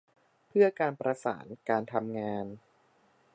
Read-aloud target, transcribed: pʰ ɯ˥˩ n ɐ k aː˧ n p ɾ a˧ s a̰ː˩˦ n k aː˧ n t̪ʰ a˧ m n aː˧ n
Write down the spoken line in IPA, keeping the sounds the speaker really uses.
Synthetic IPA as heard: pʰ ɯ˥˩ ɐ k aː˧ n p ɾ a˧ s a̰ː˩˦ n k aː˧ n t̪ʰ a˧ m ŋ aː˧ n

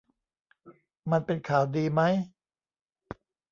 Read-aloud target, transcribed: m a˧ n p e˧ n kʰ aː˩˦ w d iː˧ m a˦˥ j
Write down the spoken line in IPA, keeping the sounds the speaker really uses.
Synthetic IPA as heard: m a˧ n p e˧ n kʰ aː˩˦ w d iː˧ m a˦˥ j

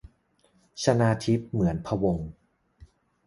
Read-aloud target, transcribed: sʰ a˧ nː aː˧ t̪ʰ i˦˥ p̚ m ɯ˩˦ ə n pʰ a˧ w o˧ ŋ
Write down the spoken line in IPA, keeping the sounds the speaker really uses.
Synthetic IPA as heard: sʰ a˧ n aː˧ t̪ʰ i˦˥ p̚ m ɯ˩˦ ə n pʰ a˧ w o˧ ŋ

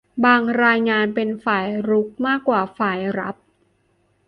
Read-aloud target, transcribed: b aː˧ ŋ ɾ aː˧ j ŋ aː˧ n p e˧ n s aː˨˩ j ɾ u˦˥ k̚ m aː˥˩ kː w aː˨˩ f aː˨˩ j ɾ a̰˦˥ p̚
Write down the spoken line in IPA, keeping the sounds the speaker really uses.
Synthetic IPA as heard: b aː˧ ŋ ɾ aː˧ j ŋ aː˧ n p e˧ n f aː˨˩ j ɾ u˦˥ k̚ m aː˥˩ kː w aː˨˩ f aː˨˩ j ɾ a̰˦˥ p̚

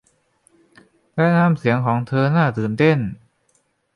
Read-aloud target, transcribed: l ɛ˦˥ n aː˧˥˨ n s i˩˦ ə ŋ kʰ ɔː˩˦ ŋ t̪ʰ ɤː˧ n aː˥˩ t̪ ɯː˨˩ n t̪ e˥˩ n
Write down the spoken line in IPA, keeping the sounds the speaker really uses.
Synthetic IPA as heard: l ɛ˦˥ n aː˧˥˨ m s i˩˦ ə ŋ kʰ ɔː˩˦ ŋ t̪ʰ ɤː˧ n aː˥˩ t̪ ɯː˨˩ n t̪ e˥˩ n

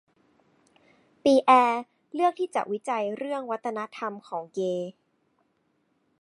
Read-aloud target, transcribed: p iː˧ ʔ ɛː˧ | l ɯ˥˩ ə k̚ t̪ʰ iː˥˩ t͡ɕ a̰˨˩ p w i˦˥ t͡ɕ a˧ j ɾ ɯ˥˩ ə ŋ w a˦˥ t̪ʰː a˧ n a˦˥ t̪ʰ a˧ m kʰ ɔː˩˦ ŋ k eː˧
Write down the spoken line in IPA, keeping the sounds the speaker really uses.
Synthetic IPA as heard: p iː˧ ʔ ɛː˧ | l ɯ˥˩ ə k̚ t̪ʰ iː˥˩ t͡ɕ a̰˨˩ ʔ w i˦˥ t͡ɕ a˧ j ɾ ɯ˥˩ ə ŋ w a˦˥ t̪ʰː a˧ n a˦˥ t̪ʰ a˧ m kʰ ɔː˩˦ ŋ k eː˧

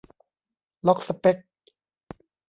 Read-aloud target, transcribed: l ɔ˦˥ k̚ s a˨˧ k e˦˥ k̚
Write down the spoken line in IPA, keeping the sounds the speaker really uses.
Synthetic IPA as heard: l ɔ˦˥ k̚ s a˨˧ p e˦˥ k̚

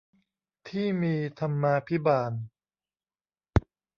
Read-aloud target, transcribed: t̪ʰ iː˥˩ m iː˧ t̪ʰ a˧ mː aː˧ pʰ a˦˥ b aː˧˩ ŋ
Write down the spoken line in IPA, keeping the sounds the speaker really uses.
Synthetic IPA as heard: t̪ʰ iː˥˩ m iː˧ t̪ʰ a˧ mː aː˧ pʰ i˦˥ b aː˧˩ n

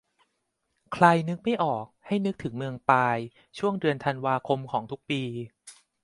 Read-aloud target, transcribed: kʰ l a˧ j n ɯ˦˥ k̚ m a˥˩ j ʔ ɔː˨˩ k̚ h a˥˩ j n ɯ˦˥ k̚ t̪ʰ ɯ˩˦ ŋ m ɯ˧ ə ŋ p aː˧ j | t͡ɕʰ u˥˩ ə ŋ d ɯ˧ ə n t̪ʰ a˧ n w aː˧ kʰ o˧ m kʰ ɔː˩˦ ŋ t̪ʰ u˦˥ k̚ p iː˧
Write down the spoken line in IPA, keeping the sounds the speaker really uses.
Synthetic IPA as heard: kʰ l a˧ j n ɯ˦˥ k̚ m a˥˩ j ʔ ɔː˨˩ k̚ h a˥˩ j n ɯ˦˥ k̚ t̪ʰ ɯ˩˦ ŋ m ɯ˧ ə ŋ p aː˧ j | t͡ɕʰ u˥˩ ə ŋ d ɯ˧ ə n t̪ʰ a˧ n w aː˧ kʰ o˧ m kʰ ɔː˩˦ ŋ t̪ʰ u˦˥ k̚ p iː˧

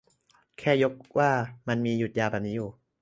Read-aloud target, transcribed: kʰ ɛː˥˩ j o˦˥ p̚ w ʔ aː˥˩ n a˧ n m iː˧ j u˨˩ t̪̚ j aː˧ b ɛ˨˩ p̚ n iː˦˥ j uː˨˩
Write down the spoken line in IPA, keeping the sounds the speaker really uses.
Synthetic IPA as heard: kʰ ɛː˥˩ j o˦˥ k̚ w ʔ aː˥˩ m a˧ n m iː˧ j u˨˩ t̪̚ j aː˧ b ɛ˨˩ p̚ n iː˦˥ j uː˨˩

